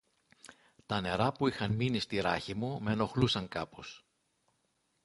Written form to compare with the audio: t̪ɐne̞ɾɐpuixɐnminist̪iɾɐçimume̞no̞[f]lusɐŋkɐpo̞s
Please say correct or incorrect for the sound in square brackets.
incorrect